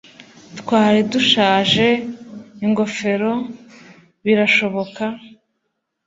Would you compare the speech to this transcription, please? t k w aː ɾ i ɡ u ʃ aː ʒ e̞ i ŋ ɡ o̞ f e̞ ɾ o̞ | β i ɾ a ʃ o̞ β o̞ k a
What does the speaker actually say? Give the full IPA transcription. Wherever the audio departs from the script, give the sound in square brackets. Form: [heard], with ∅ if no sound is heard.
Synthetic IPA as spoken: t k w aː ɾ i [d] u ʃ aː ʒ e̞ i ŋ ɡ o̞ f e̞ ɾ o̞ | β i ɾ a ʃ o̞ β o̞ k a